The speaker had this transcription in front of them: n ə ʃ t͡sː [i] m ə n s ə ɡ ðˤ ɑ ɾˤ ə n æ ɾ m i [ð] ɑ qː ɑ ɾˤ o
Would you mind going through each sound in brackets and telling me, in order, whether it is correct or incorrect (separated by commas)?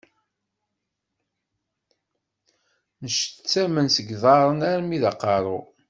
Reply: incorrect, correct